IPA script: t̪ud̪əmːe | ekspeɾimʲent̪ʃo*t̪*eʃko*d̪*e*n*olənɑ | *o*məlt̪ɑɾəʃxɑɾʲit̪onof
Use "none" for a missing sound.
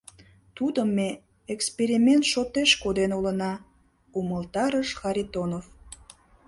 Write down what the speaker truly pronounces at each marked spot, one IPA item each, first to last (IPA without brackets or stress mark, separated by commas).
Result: t̪, d̪, n, u